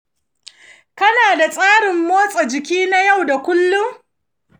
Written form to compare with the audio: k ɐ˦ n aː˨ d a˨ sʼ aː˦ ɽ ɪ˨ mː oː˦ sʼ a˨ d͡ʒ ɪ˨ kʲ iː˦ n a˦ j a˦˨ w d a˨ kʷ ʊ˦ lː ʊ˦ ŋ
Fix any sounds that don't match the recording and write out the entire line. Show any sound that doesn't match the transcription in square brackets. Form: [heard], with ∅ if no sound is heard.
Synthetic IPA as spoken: k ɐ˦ n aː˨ d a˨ sʼ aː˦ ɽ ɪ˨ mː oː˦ sʼ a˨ d͡ʒ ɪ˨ kʲ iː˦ n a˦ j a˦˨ w d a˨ kʷ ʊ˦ lː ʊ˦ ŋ